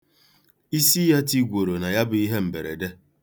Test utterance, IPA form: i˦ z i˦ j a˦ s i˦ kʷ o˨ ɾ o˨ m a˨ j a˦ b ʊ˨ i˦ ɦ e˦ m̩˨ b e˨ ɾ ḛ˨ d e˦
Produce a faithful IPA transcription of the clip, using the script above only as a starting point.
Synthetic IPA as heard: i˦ s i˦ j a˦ t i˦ ɡʷ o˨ ɾ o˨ n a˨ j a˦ b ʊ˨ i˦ ɦ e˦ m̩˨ b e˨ ɾ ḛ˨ d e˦